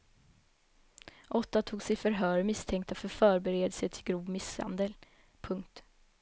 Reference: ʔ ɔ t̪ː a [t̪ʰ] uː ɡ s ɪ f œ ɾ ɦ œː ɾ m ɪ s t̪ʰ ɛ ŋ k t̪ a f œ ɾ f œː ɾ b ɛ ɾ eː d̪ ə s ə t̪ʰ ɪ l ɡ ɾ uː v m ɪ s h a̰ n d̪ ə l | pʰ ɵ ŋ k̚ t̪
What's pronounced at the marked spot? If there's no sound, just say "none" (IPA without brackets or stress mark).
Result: t̪ʰ